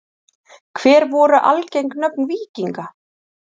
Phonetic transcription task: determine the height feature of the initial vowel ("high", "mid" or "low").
mid